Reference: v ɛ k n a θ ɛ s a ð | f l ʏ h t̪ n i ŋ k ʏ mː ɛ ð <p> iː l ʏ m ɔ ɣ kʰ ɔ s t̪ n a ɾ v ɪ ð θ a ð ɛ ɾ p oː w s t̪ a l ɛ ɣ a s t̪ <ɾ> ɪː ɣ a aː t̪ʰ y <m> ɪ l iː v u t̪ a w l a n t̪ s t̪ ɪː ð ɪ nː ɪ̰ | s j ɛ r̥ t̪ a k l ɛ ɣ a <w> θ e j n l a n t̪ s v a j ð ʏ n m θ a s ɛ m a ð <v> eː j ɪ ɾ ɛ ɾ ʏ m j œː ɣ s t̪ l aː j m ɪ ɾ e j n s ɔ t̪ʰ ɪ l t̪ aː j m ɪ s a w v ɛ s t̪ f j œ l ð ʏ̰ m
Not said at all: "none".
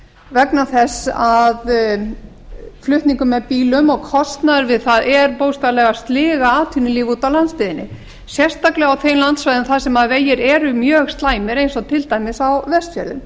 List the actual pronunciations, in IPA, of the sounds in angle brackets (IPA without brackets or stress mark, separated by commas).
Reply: p, l, n, w, v